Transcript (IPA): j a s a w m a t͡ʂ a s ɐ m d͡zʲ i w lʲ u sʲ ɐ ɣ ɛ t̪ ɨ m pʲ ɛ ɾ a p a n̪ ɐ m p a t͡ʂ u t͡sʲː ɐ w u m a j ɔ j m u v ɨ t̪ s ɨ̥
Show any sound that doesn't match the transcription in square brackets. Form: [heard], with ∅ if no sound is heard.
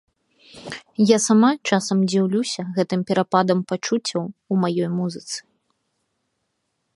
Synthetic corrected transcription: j a s a [∅] m a t͡ʂ a s ɐ m d͡zʲ i w lʲ u sʲ ɐ ɣ ɛ t̪ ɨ m pʲ ɛ ɾ a p a [d̪] ɐ m p a t͡ʂ u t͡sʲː ɐ w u m a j ɔ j m u [z] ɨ t̪ s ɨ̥